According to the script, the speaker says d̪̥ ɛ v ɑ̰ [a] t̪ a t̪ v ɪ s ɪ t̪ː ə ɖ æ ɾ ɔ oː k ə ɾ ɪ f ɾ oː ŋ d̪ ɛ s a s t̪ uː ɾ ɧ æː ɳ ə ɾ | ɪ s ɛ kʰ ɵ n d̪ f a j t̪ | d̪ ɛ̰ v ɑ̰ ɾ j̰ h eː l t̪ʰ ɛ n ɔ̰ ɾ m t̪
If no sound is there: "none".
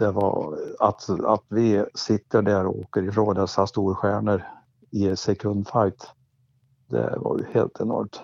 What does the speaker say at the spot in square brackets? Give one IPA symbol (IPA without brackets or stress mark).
a